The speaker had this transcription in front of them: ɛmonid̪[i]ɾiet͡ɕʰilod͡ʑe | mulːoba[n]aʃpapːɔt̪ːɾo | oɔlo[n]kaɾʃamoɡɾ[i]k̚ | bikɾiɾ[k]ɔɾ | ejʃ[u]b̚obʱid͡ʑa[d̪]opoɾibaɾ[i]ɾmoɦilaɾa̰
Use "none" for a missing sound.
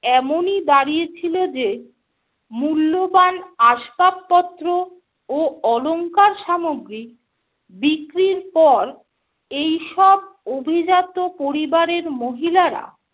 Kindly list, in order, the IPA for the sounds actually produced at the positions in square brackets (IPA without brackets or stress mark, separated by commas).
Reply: a, n, ŋ, i, p, ɔ, t̪, e